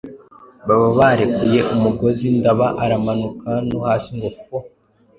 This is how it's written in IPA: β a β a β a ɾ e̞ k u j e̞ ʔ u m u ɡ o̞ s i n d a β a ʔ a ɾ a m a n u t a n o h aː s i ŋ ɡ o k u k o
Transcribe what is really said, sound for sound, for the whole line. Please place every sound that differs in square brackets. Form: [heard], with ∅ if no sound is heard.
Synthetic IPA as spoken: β a β a β a ɾ e̞ k u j e̞ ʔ u m u ɡ o̞ [z] i n d a β a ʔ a ɾ a m a n u [k] a n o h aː s i ŋ ɡ o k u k o